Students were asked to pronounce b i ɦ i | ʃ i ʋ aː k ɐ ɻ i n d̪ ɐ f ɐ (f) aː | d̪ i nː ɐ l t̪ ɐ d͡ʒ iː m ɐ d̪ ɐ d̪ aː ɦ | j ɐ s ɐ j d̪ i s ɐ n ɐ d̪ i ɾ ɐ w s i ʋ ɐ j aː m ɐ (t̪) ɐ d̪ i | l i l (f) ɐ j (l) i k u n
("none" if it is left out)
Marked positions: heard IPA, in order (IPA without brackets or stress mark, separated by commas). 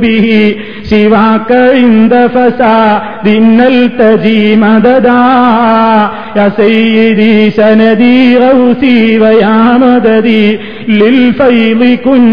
s, d̪, f, l